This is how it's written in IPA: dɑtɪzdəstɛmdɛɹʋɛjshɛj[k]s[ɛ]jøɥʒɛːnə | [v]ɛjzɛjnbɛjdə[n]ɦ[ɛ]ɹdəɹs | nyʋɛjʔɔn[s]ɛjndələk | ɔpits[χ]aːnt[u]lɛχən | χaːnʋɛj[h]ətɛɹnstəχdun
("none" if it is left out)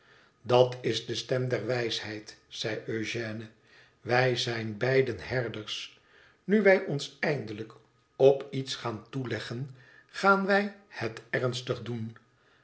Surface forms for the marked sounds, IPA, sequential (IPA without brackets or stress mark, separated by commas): t, ɛ, ʋ, n, ɛ, s, χ, u, h